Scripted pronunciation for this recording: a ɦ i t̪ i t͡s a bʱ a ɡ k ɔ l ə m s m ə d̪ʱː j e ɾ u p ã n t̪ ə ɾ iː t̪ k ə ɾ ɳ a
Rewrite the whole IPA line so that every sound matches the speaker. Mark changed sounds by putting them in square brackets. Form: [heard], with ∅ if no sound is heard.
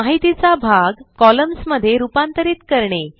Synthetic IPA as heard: a ɦ i t̪ i t͡s a bʱ a ɡ k ɔ l ə m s m ə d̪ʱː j e ɾ u p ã n t̪ ə ɾ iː t̪ k ə ɾ ɳ [e]